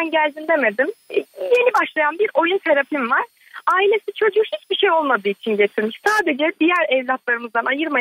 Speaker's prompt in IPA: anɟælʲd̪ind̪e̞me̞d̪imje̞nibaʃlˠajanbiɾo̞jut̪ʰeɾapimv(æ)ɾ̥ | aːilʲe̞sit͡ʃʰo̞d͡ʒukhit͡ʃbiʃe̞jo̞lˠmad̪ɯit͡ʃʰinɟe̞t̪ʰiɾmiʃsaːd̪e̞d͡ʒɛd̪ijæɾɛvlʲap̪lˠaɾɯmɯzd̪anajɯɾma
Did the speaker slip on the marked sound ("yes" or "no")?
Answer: yes